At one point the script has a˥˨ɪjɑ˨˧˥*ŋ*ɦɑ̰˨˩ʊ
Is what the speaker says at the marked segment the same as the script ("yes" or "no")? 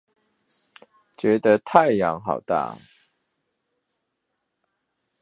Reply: yes